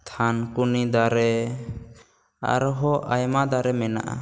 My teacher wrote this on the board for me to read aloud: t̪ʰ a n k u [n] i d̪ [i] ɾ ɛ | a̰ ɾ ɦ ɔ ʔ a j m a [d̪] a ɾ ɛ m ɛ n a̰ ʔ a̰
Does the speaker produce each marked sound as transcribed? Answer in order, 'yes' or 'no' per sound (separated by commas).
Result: yes, no, yes